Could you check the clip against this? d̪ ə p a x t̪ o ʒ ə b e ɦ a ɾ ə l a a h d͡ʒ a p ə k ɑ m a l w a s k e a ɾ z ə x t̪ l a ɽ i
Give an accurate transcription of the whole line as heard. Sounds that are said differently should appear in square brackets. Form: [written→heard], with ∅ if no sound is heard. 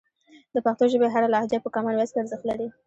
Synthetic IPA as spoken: d̪ ə p a x t̪ o ʒ ə b e ɦ a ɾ [ə→a] l a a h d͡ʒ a p ə k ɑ m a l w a s k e a ɾ z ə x t̪ l a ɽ i